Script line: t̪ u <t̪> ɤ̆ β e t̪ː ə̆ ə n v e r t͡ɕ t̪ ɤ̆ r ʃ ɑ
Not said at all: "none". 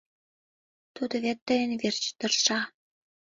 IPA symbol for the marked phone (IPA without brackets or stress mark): d̪